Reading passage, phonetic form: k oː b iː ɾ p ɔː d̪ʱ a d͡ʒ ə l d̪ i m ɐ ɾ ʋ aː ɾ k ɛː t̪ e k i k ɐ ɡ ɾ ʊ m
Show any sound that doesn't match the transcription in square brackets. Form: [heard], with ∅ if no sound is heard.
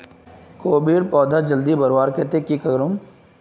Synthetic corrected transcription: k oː b iː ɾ p ɔː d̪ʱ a d͡ʒ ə l d̪ i [b] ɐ ɾ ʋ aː ɾ k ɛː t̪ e k i k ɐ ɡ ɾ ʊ m

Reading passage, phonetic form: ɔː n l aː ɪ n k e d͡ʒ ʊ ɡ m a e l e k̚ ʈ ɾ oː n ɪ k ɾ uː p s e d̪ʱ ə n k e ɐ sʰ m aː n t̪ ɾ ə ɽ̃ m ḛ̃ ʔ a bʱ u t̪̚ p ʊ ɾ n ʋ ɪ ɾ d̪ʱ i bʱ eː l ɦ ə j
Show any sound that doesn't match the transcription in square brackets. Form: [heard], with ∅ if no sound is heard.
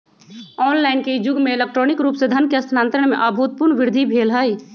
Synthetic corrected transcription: ɔː n l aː ɪ n k e d͡ʒ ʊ ɡ m [e] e l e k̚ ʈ ɾ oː n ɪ k ɾ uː p s e d̪ʱ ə n k e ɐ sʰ [n] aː n t̪ ɾ ə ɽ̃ m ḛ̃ ʔ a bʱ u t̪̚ p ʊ ɾ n ʋ ɪ ɾ d̪ʱ i bʱ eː l ɦ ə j

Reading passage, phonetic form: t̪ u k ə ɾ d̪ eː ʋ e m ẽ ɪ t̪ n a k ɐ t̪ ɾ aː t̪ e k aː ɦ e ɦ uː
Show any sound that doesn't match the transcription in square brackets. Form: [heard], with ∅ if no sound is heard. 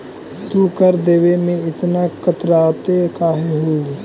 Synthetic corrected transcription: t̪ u k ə ɾ d̪ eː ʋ e m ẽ ɪ t̪ n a k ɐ t̪ ɾ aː t̪ e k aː ɦ e ɦ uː

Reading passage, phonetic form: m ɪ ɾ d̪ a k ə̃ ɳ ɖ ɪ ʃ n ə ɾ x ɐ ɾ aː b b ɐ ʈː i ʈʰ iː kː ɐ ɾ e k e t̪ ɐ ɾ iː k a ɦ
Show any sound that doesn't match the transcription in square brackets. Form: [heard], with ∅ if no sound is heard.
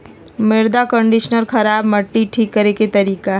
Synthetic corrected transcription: m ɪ ɾ d̪ a k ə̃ ɳ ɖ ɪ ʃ n ə ɾ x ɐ ɾ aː b [m] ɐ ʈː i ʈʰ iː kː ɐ ɾ e k e t̪ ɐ ɾ iː k a ɦ

